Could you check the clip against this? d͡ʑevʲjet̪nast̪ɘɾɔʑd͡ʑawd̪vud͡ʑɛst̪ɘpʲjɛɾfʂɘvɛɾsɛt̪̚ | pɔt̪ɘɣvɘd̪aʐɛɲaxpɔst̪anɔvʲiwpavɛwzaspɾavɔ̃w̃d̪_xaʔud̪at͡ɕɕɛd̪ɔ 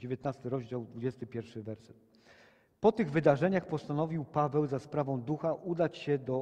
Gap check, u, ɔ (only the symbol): u